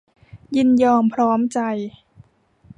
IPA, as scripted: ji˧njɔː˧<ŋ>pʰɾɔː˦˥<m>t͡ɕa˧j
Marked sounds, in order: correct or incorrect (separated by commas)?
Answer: incorrect, correct